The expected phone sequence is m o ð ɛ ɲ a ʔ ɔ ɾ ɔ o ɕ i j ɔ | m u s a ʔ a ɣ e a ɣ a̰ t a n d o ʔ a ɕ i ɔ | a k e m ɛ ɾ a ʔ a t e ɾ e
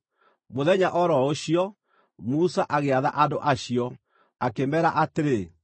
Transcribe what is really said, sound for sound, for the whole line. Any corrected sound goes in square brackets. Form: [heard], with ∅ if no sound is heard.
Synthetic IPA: m o ð ɛ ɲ a ʔ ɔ ɾ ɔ o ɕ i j ɔ | m u s a ʔ a ɣ e a [ð] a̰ [ʔ] a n d o ʔ a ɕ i ɔ | a k e m ɛ ɾ a ʔ a t e ɾ e